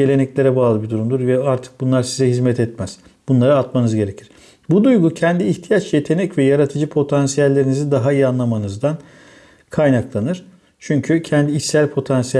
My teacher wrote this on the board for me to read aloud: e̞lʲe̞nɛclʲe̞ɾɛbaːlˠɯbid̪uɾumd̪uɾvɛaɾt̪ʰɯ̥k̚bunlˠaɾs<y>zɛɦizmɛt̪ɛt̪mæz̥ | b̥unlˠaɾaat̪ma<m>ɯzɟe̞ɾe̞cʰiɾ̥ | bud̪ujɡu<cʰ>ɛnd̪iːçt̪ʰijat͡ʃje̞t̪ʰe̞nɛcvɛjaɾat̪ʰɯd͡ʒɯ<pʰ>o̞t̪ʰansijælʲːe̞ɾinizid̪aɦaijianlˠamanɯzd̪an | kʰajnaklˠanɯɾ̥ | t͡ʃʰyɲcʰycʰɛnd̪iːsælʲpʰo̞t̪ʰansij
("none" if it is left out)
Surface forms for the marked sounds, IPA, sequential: i, n, cʰ, pʰ

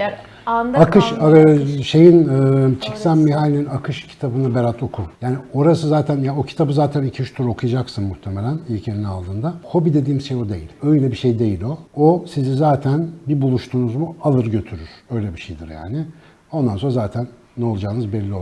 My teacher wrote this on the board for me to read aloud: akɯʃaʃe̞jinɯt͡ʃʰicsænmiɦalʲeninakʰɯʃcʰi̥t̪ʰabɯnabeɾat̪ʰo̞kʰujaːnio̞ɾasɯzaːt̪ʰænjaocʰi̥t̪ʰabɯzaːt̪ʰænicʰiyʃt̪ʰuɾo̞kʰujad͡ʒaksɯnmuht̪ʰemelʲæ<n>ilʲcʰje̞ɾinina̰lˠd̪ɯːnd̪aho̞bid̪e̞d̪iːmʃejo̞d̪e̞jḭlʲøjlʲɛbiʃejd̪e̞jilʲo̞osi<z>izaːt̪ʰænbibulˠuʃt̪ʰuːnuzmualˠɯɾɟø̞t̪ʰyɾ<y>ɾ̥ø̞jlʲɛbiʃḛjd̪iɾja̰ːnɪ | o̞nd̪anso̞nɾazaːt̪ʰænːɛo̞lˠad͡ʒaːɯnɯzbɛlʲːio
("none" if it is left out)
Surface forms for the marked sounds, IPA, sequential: n, z, y

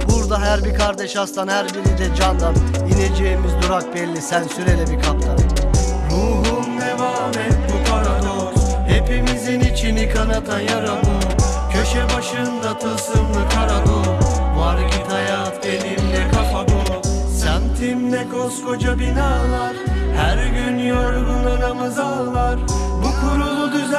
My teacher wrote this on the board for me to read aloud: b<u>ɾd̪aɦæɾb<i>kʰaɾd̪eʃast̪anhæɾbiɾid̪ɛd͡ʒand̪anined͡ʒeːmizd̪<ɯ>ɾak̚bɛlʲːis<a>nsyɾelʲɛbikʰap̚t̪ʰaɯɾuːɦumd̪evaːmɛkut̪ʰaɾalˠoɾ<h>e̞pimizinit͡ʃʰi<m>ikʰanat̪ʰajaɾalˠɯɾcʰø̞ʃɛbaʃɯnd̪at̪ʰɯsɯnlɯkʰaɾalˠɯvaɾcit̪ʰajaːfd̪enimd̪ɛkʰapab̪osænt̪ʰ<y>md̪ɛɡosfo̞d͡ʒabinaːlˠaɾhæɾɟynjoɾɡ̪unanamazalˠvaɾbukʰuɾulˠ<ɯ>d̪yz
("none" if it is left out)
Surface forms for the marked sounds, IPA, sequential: u, i, u, æ, h, n, i, u

